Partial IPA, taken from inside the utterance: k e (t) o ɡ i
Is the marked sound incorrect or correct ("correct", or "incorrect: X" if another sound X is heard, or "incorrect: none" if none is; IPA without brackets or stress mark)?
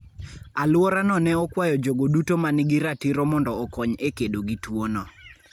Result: incorrect: d